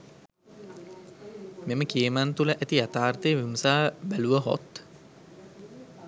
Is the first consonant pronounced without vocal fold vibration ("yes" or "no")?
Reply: no